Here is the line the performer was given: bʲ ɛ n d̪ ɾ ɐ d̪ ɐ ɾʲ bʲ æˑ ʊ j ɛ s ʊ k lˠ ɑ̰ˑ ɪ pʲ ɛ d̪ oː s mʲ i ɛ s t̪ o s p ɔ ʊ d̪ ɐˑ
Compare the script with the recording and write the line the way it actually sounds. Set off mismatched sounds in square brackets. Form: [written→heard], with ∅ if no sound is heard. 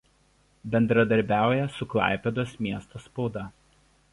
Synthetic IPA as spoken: bʲ ɛ n d̪ ɾ ɐ d̪ ɐ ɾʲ bʲ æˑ ʊ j ɛ s ʊ k lˠ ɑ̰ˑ ɪ pʲ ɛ d̪ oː s mʲ i ɛ s t̪ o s p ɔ ʊ d̪ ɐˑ

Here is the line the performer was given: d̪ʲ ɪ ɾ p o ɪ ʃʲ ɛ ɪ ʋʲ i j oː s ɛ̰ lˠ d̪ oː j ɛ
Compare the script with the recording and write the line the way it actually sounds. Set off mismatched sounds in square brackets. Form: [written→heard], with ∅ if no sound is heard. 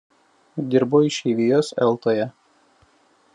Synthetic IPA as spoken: d̪ʲ ɪ ɾ [p→b] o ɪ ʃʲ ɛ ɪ ʋʲ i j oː s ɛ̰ lˠ [d̪→t̪] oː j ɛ

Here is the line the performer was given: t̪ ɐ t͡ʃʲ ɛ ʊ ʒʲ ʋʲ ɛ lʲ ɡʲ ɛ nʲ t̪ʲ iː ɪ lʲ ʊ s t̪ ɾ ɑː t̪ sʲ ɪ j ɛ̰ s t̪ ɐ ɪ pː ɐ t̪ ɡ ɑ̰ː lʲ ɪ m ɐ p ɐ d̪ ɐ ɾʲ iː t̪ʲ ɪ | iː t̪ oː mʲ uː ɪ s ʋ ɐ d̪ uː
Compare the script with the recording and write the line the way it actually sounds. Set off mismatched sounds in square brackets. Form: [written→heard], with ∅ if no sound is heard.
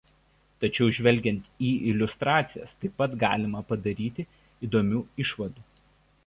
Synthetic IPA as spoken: t̪ ɐ t͡ʃʲ ɛ ʊ ʒʲ ʋʲ ɛ lʲ ɡʲ ɛ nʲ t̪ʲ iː ɪ lʲ ʊ s t̪ ɾ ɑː t̪ sʲ ɪ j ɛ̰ s t̪ ɐ ɪ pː ɐ t̪ ɡ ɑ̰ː lʲ ɪ m ɐ p ɐ d̪ ɐ ɾʲ iː t̪ʲ ɪ | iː [t̪→d̪] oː mʲ uː ɪ [s→ʃ] ʋ ɐ d̪ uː

